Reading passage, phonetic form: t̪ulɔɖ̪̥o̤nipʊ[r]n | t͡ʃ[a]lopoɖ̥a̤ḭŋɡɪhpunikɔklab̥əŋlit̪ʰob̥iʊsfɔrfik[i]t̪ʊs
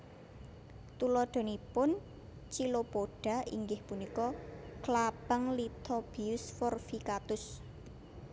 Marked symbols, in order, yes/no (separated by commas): no, no, no